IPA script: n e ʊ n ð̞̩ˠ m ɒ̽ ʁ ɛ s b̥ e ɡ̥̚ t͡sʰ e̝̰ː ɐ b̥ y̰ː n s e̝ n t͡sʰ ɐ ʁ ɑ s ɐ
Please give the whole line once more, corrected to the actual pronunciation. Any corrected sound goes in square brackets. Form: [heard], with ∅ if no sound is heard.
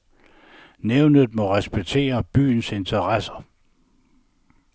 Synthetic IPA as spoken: n e ʊ n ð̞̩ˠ m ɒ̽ ʁ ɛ s b̥ e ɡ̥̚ t͡sʰ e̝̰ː ɐ b̥ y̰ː n s e̝ n t͡sʰ ɐ ʁ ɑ s ɐ